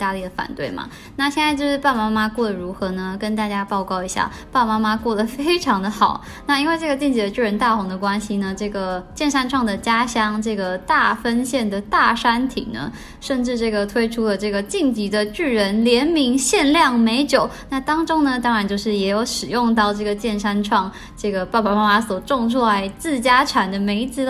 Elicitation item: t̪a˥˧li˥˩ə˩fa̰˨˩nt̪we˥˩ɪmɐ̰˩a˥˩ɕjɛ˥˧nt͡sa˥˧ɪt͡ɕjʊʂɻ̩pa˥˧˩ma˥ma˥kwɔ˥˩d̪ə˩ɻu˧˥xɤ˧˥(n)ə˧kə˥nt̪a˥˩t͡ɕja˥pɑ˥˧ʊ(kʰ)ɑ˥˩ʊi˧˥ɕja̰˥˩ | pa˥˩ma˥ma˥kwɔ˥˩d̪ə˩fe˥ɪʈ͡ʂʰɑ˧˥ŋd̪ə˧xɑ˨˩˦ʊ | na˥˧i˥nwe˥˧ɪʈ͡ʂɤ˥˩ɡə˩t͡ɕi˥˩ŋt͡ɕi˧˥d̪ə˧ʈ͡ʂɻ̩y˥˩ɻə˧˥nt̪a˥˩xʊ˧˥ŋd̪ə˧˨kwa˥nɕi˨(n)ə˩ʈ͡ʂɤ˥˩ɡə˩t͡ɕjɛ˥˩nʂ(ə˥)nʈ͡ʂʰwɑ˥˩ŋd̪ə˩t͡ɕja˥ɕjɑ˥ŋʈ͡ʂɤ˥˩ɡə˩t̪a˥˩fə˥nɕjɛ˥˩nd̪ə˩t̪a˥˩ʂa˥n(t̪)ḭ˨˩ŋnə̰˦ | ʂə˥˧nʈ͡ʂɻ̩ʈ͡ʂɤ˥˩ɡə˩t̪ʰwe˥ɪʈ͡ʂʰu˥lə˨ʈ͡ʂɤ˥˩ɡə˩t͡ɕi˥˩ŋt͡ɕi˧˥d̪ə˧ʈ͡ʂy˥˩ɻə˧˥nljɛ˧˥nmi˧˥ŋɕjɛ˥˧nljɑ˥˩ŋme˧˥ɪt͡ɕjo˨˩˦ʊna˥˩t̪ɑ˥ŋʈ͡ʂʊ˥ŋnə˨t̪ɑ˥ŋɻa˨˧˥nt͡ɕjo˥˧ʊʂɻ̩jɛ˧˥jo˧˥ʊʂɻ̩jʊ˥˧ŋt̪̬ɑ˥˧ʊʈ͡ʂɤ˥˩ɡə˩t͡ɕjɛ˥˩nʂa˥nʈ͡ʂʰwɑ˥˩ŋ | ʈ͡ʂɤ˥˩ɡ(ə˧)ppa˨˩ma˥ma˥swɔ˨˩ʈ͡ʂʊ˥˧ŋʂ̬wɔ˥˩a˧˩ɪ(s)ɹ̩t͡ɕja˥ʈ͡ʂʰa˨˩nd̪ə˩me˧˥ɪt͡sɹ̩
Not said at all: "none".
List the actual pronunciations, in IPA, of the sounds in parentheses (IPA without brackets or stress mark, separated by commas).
n, k, n, a˥, t̪ʰ, ə˩, t͡s